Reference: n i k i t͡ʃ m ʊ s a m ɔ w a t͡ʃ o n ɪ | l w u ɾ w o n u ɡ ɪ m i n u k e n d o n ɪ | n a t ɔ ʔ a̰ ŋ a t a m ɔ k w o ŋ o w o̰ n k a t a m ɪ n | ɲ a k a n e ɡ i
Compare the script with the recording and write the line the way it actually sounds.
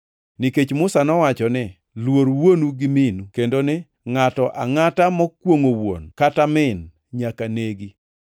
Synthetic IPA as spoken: n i k e t͡ʃ m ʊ s a n ɔ w a t͡ʃ ɔ n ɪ | l w o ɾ w o n u ɡ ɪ m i n u k e n d o n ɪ | ŋ a t ɔ ʔ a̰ ŋ a t a m ɔ k w o ŋ o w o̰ n k a t a m ɪ n | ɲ a k a n e ɡ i